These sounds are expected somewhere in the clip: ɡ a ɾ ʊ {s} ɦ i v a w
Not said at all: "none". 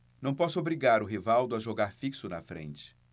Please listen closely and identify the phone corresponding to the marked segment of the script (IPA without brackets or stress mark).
none